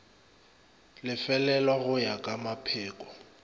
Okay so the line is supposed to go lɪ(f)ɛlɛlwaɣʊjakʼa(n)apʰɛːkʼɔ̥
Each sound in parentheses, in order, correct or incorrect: correct, incorrect: m

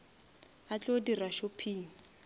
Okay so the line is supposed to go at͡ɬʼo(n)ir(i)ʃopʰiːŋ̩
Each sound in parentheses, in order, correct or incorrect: incorrect: d, incorrect: a

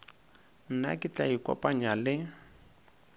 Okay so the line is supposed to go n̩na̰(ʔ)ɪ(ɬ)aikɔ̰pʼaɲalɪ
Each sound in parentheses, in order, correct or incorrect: incorrect: k, incorrect: t͡ɬ

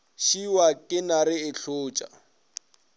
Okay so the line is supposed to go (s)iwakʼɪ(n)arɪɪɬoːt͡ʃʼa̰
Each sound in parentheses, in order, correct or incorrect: incorrect: ʃ, correct

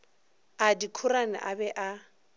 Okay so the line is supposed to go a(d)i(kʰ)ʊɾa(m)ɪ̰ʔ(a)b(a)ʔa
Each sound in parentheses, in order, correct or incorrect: correct, correct, incorrect: n, correct, incorrect: ɛ

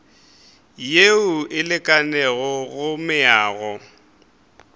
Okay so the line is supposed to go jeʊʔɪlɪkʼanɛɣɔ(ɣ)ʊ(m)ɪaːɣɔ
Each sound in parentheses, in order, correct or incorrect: correct, correct

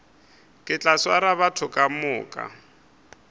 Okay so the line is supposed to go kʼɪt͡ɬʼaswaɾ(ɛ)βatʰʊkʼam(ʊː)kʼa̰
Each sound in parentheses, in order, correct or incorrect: incorrect: a, correct

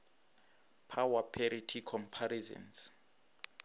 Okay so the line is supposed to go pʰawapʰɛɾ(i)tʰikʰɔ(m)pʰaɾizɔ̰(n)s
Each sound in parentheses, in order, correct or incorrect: correct, correct, correct

